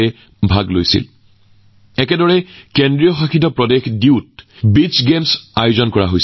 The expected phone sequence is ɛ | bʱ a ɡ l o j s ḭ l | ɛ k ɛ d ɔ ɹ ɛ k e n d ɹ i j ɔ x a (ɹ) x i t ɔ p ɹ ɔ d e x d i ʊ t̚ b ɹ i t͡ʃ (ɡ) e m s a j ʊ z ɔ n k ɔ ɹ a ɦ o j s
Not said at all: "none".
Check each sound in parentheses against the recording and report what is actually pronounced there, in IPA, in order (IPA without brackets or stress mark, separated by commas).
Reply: none, ɡ